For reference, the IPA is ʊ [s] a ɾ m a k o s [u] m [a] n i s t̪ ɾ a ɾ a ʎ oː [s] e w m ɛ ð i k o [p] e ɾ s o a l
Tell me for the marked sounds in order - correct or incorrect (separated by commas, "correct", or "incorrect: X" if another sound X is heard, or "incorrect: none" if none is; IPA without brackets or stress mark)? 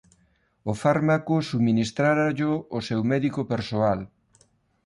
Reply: incorrect: f, correct, incorrect: i, correct, correct